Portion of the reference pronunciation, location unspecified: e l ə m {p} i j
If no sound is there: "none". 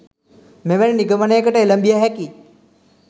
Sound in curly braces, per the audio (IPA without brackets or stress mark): b